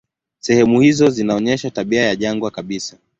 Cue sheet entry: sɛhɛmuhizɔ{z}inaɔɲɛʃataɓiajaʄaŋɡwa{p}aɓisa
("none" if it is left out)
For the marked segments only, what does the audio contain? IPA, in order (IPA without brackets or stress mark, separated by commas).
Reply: z, k